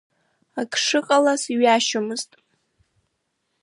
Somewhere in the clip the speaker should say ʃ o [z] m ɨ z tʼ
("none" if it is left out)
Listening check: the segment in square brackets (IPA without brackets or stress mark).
none